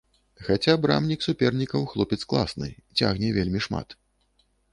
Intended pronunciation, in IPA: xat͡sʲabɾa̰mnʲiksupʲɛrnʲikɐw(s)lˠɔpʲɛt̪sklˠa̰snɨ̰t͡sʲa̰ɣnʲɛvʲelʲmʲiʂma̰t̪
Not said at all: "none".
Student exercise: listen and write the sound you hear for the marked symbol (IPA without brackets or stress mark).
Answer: x